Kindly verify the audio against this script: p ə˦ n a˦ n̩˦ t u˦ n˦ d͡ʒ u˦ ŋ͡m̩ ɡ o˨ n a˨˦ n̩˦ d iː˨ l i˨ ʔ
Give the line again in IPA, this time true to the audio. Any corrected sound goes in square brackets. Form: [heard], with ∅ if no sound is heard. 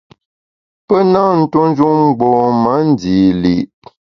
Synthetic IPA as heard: p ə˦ n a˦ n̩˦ t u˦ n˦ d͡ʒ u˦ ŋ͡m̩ [ɡ͡b] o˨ [m] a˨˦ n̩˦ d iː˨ l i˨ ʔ